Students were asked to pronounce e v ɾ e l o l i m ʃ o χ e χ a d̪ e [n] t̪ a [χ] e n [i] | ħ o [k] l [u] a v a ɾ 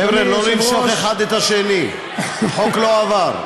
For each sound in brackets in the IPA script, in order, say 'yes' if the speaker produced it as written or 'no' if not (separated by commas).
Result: no, no, yes, yes, no